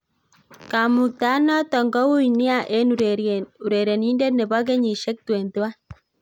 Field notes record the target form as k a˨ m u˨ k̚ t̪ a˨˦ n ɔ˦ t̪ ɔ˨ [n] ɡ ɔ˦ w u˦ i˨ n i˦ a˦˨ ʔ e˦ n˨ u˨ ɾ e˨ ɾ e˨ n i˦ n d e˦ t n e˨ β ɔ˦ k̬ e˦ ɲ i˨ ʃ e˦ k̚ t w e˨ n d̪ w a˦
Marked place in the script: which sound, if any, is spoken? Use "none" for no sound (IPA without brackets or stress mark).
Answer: ŋ